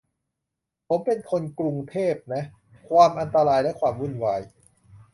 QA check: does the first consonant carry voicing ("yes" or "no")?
no